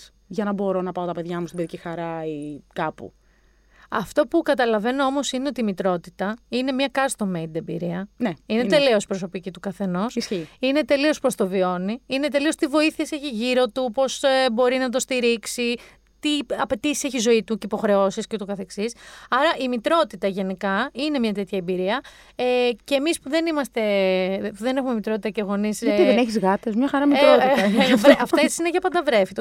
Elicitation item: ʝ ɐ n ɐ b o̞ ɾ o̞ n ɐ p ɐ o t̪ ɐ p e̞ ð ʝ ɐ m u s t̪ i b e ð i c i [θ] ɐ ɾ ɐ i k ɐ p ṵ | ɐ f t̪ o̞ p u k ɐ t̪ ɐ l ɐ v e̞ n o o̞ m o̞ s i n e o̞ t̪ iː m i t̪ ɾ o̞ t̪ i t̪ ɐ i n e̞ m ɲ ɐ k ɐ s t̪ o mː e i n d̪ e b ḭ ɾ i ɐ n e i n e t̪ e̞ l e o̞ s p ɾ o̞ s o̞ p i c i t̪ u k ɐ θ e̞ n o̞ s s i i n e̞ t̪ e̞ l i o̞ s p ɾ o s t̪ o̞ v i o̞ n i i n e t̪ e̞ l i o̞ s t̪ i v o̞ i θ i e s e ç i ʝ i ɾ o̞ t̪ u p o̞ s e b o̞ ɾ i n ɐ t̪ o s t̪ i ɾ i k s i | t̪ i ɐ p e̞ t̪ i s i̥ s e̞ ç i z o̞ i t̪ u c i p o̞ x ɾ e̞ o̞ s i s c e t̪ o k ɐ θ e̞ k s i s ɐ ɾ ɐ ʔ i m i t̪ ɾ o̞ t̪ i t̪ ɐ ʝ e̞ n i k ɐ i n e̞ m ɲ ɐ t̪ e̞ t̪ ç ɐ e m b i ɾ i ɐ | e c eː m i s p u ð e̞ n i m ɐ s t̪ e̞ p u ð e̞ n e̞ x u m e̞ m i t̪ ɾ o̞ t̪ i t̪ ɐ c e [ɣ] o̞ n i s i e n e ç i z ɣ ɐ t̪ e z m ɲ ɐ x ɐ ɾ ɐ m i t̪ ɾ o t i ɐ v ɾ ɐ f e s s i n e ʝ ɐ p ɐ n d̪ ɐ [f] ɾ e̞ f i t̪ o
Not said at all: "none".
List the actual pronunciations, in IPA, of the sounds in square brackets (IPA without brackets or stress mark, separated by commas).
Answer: x, ɣ, v